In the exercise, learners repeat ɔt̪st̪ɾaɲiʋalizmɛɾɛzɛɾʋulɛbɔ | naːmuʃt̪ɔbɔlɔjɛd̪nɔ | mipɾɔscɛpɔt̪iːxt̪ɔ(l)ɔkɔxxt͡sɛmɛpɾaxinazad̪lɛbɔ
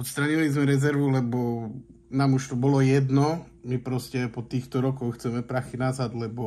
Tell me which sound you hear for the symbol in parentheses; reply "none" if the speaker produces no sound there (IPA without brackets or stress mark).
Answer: ɾ